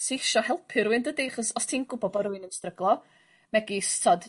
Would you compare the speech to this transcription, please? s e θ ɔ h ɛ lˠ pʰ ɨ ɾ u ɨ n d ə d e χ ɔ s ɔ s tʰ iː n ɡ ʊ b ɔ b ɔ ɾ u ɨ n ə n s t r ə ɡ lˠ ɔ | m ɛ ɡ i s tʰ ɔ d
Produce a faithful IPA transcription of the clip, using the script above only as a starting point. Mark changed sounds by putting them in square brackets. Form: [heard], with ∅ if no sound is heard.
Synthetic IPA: s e [ʃ] ɔ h ɛ lˠ pʰ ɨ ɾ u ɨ n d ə d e χ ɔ s ɔ s tʰ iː n ɡ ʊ b ɔ b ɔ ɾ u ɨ n ə n s t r ə ɡ lˠ ɔ | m ɛ ɡ i s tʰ ɔ d